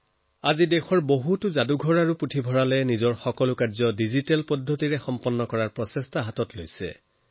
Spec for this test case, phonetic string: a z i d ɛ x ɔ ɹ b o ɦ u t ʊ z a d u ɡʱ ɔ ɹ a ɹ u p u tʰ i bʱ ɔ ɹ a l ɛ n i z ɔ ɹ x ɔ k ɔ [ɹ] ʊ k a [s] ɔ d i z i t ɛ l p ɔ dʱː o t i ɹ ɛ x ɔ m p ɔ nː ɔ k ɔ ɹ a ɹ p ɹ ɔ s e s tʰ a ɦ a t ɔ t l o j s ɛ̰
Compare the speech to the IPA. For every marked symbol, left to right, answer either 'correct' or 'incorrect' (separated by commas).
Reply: incorrect, incorrect